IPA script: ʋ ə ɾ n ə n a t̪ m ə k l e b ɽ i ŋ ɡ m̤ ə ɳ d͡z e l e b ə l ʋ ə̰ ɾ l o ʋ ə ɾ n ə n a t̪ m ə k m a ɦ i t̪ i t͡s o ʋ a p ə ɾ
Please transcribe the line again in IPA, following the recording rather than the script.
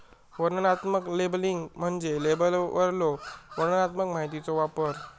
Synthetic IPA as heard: ʋ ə ɾ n ə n a t̪ m ə k l e b l i ŋ ɡ m̤ ə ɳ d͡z e l e b ə l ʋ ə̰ ɾ l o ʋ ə ɾ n ə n a t̪ m ə k m a ɦ i t̪ i t͡s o ʋ a p ə ɾ